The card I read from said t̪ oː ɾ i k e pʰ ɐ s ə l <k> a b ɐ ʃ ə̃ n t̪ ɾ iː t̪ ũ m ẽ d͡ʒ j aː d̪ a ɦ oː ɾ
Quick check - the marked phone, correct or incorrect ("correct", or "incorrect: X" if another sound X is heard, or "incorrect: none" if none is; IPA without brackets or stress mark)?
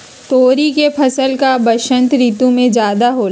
correct